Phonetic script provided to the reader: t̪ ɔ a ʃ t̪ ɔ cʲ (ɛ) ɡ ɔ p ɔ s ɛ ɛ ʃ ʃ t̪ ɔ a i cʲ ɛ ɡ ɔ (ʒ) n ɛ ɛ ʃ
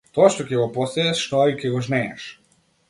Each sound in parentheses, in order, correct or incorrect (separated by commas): correct, correct